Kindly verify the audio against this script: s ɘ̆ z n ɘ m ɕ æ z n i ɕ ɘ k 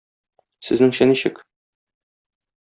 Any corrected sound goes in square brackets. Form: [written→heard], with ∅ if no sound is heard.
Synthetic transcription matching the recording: s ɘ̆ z n ɘ [m→ŋ] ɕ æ [z→∅] n i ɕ ɘ k